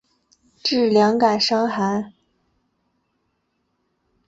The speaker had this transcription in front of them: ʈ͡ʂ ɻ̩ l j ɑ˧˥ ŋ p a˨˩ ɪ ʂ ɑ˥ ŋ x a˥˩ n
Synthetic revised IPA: ʈ͡ʂ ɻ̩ l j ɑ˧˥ ŋ k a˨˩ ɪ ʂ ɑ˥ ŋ x a˧˥ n